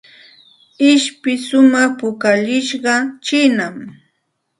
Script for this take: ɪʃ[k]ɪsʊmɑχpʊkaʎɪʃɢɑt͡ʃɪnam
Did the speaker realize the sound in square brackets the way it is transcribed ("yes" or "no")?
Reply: no